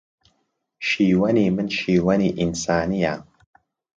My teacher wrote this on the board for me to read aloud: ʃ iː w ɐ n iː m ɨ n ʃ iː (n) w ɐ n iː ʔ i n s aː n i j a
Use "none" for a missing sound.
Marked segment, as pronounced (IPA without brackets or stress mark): none